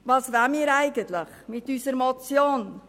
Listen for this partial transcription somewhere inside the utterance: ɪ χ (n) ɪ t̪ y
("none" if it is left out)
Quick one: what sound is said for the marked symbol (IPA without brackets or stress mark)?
m